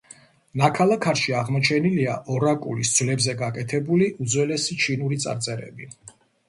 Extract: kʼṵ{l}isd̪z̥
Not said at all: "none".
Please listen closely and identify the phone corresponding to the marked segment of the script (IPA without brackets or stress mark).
l